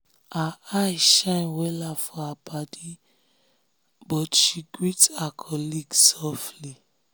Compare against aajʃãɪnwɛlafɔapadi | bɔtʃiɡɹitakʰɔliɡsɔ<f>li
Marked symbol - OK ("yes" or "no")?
yes